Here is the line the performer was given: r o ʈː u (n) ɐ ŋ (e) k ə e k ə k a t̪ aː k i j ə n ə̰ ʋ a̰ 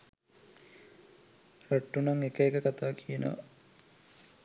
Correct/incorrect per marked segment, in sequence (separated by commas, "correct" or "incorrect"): correct, correct